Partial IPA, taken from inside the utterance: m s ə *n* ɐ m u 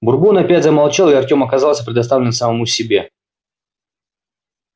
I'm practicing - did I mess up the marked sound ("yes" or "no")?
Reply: yes